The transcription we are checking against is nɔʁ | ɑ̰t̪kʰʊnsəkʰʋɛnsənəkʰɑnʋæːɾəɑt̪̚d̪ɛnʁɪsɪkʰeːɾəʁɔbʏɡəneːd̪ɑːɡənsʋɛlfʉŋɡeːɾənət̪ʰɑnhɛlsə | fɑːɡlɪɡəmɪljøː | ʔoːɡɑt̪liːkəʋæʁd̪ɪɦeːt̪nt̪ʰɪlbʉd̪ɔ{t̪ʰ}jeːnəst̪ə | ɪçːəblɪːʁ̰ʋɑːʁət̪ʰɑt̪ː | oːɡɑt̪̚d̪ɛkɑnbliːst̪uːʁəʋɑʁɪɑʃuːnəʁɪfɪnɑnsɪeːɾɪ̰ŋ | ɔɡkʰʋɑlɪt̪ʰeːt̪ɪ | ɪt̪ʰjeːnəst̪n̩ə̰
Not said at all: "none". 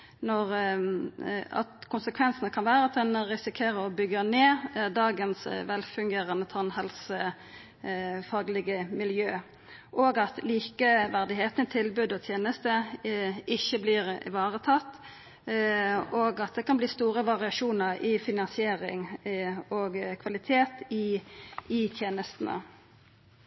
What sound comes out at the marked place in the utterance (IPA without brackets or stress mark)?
t̪ʰ